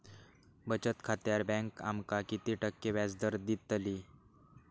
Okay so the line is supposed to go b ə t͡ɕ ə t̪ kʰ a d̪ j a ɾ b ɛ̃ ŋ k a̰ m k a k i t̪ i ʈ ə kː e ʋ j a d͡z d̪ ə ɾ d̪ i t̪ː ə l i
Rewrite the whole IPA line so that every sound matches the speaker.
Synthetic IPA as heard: b ə t͡ɕ ə t̪ kʰ a t̪ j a ɾ b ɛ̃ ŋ k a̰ m k a k i t̪ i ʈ ə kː e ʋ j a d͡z d̪ ə ɾ d̪ i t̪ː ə l i